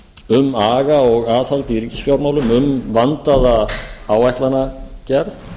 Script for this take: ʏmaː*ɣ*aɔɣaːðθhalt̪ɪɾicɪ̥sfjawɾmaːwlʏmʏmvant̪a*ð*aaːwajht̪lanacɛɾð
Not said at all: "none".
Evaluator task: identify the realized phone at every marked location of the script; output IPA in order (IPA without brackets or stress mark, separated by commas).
ɣ, ð